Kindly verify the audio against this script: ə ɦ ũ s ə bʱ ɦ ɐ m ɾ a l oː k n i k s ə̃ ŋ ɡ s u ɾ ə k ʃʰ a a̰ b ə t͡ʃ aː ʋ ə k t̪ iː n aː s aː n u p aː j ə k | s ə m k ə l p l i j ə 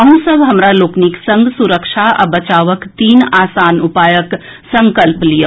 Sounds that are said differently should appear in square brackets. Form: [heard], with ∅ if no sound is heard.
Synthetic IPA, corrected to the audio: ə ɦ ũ s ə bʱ ɦ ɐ m ɾ a l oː k n i k s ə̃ ŋ ɡ s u ɾ ə k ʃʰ a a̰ b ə t͡ʃ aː ʋ ə k t̪ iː n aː s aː n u p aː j ə k | s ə [ŋ] k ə l p l i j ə